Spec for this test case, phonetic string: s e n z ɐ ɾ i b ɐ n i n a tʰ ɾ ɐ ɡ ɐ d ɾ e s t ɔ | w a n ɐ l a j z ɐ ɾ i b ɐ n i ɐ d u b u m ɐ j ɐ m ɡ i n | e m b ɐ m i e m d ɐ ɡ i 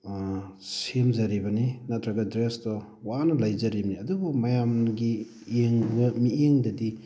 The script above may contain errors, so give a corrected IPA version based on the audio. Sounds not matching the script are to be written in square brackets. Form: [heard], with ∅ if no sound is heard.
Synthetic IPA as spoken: s e [m] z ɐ ɾ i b ɐ n i n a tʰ ɾ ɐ ɡ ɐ d ɾ e s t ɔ | w a n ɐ l a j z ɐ ɾ i b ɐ n i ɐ d u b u m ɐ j [a] m ɡ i [∅] | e [ŋ] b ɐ m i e [ŋ] d ɐ [d] i